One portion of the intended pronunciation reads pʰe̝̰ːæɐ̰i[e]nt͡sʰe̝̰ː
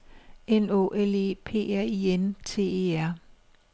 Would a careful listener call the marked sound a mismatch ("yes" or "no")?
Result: no